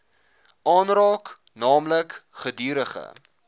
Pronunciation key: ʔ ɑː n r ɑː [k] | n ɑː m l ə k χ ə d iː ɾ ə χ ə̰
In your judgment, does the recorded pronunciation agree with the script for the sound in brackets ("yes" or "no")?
yes